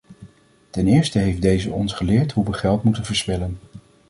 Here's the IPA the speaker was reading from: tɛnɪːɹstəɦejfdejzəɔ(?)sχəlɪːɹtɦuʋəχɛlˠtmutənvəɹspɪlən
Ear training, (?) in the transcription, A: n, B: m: A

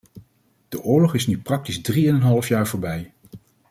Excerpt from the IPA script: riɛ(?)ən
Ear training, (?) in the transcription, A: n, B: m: A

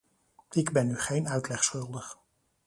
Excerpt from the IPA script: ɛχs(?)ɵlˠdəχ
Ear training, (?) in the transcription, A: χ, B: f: A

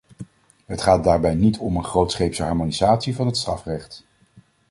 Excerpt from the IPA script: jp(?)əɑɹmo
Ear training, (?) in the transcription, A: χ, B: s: B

